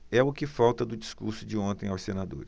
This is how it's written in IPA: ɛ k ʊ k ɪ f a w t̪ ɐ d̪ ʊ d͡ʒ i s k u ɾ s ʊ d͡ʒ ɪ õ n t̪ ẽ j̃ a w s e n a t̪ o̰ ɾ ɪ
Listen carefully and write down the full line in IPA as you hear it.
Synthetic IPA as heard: ɛ ʊ k ɪ f a w t̪ ɐ d̪ ʊ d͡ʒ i s k u ɾ s ʊ d͡ʒ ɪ õ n t̪ ẽ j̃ a w s e n a d̪ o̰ ɾ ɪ